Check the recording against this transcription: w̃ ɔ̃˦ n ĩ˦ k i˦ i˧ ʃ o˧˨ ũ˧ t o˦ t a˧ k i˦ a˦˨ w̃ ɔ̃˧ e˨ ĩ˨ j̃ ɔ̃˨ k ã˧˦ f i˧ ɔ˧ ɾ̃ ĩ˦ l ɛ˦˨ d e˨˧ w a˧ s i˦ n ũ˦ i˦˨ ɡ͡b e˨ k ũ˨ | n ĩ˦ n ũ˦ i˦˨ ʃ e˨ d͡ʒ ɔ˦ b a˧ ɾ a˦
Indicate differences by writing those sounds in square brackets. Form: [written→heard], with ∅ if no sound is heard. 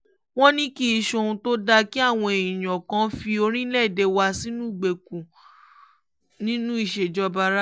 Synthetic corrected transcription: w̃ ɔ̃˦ n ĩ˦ k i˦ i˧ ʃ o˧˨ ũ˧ t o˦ [t→d] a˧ k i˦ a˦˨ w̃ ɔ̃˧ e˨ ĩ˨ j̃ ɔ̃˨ k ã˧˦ f i˧ [ɔ˧→o˧] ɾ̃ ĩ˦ l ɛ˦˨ d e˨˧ w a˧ s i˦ n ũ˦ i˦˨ ɡ͡b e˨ k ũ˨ | n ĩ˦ n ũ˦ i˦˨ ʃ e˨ d͡ʒ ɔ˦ b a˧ ɾ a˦